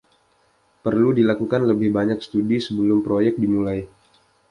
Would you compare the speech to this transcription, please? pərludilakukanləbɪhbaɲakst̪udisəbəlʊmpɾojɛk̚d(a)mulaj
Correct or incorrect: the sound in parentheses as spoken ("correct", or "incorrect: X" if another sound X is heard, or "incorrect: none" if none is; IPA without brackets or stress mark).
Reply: incorrect: i